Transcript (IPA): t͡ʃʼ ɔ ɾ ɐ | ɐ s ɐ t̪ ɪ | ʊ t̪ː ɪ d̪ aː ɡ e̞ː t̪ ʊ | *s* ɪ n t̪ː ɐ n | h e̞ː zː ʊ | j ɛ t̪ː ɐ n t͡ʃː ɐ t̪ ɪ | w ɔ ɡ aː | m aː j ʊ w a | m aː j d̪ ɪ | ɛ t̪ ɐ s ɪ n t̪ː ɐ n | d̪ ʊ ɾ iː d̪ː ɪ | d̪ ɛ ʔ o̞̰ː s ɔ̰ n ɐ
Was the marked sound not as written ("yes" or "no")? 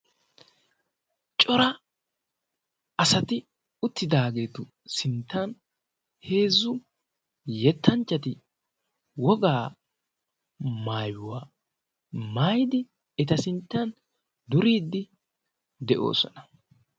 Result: no